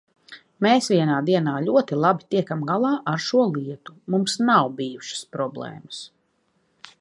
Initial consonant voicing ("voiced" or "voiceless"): voiced